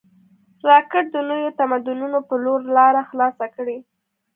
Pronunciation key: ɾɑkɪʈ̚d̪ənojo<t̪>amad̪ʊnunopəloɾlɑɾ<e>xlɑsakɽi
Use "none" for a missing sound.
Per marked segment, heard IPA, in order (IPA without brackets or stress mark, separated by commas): t̪, a